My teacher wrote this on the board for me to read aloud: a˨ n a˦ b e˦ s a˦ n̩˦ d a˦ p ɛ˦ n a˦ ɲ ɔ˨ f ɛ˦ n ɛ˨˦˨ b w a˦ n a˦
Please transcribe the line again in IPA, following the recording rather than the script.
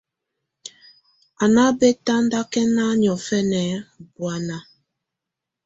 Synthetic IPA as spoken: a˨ n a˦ b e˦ t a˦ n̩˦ d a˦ k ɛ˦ n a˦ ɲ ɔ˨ f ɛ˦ n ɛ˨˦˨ b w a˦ n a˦